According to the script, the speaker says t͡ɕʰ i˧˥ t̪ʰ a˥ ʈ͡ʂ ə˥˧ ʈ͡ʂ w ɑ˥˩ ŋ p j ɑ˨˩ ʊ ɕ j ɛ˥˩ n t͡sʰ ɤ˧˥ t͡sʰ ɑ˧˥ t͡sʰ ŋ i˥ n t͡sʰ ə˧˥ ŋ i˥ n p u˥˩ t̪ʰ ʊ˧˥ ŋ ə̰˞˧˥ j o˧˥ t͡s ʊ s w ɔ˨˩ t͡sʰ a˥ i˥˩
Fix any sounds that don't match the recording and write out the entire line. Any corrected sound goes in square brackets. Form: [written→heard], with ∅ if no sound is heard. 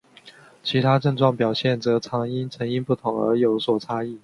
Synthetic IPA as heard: t͡ɕʰ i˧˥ t̪ʰ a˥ ʈ͡ʂ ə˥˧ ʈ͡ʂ w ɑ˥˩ ŋ p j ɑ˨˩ ʊ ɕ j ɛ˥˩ n [t͡sʰ→t͡s] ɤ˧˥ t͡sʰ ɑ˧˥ [t͡sʰ→∅] ŋ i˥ n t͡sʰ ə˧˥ ŋ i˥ n p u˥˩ t̪ʰ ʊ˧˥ ŋ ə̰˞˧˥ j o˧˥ [t͡s→∅] ʊ s w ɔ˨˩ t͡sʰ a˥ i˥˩